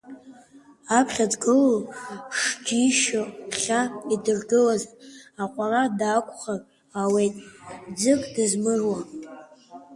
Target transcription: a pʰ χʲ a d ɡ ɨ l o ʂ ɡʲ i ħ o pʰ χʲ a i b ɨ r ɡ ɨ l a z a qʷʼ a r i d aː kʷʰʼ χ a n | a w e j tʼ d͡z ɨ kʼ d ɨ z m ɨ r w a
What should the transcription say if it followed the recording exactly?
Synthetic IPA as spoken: a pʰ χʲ a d ɡ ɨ l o ʂ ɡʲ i ʃ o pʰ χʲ a i d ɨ r ɡ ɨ l a z a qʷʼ a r a d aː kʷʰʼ χ a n | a w e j tʼ d͡z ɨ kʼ d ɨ z m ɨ r w a